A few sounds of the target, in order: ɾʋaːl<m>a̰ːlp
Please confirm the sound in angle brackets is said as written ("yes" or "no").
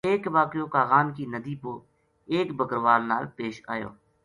no